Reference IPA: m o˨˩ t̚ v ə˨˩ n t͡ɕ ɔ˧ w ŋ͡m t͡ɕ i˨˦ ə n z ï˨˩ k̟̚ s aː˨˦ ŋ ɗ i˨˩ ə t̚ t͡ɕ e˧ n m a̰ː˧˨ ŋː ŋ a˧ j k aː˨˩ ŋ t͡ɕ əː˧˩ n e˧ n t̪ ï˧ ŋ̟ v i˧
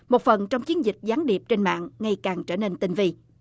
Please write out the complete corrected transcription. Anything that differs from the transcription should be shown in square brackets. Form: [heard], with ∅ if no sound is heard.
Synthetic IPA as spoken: m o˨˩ t̚ [f] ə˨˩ n t͡ɕ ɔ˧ w ŋ͡m t͡ɕ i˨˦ ə n z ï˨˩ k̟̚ [z] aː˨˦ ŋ ɗ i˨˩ ə [p̚] t͡ɕ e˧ n m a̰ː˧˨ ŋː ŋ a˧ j k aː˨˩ ŋ t͡ɕ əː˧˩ n e˧ n t̪ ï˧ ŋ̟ v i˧